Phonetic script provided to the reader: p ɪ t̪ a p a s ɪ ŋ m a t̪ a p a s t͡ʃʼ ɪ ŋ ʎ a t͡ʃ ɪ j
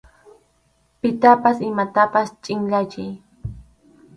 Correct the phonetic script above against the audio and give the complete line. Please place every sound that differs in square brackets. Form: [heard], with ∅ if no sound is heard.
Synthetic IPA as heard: p ɪ t̪ a p a s ɪ [∅] m a t̪ a p a s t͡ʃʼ ɪ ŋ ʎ a t͡ʃ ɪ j